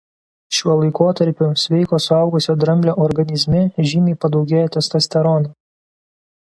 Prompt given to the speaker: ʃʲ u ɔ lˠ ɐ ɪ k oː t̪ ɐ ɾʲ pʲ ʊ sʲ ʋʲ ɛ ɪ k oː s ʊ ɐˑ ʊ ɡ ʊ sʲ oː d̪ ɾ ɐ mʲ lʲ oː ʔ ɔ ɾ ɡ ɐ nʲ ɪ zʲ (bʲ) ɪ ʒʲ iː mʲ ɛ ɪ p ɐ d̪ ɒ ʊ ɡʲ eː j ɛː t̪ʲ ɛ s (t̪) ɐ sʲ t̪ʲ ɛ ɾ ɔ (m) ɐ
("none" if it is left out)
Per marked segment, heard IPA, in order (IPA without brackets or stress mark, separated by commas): mʲ, t̪, n